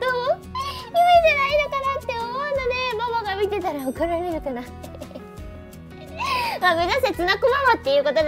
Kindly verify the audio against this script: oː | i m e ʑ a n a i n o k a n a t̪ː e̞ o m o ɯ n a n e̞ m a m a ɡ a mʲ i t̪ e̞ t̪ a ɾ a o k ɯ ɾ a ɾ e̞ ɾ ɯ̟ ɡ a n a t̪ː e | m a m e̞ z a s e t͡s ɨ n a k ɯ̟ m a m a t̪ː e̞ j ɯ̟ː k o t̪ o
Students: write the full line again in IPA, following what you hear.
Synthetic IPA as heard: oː | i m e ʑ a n a i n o k a n a t̪ː e̞ o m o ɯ n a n e̞ m a m a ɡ a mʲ i t̪ e̞ t̪ a ɾ a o k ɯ ɾ a ɾ e̞ ɾ ɯ̟ k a n a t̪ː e | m a m e̞ z a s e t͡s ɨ n a k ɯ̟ m a m a t̪ː e̞ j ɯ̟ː k o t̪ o

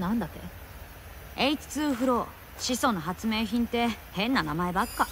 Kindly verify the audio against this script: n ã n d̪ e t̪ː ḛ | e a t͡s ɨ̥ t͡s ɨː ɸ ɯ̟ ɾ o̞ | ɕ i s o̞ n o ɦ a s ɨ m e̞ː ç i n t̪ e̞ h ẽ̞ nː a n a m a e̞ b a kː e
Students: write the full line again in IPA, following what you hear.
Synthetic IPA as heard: n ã n d̪ a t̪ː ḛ | e i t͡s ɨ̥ t͡s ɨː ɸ ɯ̟ ɾ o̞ | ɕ i s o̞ n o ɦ a t͡s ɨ m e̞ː ç ĩ n t̪ e̞ h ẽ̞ nː a n a m a e̞ b a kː a

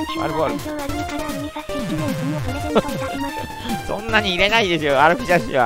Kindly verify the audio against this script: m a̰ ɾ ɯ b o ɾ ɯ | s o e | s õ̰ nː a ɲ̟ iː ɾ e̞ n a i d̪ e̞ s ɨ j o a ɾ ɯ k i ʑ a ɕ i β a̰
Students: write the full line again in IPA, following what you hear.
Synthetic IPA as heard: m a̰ ɾ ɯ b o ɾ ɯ | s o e | s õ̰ nː a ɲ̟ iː ɾ e̞ n a i d̪ e̞ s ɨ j o a ɾ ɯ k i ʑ a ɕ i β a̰

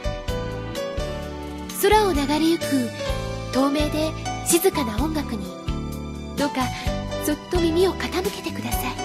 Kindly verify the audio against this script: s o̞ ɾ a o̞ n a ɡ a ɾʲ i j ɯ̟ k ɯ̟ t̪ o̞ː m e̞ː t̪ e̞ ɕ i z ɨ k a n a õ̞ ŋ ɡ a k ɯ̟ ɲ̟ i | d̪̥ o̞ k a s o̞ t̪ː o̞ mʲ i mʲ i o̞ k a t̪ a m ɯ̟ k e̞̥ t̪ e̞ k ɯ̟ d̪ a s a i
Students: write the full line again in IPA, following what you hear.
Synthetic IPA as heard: s o̞ ɾ a o̞ n a ɡ a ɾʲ i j ɯ̟ k ɯ̟ t̪ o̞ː m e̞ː d̪ e̞ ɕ i z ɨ k a n a õ̞ ŋ ɡ a k ɯ̟ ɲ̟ i | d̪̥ o̞ k a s o̞ t̪ː o̞ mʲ i mʲ i o̞ k a t̪ a m ɯ̟ k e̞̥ t̪ e̞ k ɯ̟ d̪ a s a i

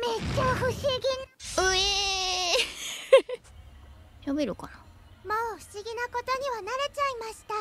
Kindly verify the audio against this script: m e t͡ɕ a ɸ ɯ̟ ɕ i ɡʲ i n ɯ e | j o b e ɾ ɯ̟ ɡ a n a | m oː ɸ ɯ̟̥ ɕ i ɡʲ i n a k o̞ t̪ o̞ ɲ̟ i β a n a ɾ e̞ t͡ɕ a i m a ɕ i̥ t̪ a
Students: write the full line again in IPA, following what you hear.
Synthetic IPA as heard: m e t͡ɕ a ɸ ɯ̟ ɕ i ɡʲ i n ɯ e | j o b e ɾ ɯ̟ k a n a | m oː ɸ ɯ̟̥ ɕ i ɡʲ i n a k o̞ t̪ o̞ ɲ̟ i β a n a ɾ e̞ t͡ɕ a i m a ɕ i̥ t̪ a

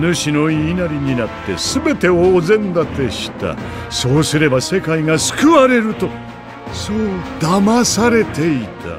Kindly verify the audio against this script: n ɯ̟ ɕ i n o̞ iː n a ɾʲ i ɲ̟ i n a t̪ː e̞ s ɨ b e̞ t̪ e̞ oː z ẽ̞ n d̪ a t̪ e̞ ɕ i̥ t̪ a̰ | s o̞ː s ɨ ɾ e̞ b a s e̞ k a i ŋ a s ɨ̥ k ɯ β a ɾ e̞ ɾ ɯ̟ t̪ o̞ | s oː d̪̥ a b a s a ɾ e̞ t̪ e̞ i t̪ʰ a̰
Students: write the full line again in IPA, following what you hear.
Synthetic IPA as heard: n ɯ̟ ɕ i n o̞ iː n a ɾʲ i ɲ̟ i n a t̪ː e̞ s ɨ b e̞ t̪ e̞ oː z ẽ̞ n d̪ a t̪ e̞ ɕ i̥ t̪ a̰ | s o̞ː s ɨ ɾ e̞ b a s e̞ k a i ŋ a s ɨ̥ k ɯ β a ɾ e̞ ɾ ɯ̟ t̪ o̞ | s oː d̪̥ a m a s a ɾ e̞ t̪ e̞ i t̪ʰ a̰

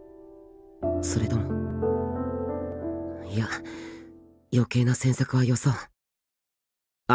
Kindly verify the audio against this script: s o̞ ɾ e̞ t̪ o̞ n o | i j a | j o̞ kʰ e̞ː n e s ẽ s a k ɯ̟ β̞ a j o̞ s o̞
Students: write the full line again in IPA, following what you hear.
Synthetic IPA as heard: s o̞ ɾ e̞ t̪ o̞ m o | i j a | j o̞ k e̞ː n a s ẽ s a k ɯ̟ β̞ a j o̞ s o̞

